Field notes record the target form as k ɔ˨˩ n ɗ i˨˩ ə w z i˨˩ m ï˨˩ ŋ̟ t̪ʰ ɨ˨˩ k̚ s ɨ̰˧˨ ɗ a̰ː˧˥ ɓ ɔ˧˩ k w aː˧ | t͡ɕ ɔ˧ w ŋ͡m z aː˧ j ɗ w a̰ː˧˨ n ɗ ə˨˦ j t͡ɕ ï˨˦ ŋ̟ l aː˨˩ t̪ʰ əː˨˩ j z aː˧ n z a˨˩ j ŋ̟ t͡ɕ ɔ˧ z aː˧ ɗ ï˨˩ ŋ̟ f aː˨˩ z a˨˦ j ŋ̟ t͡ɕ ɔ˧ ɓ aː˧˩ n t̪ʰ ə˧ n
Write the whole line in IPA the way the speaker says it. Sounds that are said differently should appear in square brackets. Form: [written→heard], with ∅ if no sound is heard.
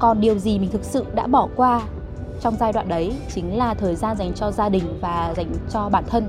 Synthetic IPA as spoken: k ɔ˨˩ n ɗ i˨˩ ə w z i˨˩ m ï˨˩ ŋ̟ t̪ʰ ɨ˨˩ k̚ s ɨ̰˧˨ ɗ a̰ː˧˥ ɓ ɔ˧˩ k w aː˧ | t͡ɕ ɔ˧ w ŋ͡m z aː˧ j ɗ w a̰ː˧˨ n ɗ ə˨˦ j t͡ɕ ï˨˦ ŋ̟ l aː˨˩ t̪ʰ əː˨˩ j z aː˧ n z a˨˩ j ŋ̟ t͡ɕ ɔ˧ z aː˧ ɗ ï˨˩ ŋ̟ [f→v] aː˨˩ z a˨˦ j ŋ̟ t͡ɕ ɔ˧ ɓ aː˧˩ n t̪ʰ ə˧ n